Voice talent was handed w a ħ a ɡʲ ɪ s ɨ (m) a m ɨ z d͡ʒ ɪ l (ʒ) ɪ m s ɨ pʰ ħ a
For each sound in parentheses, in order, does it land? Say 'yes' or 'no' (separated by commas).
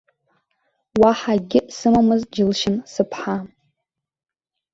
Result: yes, no